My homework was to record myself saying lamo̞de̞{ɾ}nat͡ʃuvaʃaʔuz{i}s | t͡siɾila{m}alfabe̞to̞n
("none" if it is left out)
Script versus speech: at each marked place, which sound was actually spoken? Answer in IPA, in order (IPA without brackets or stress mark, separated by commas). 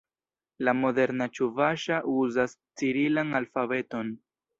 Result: ɾ, a, n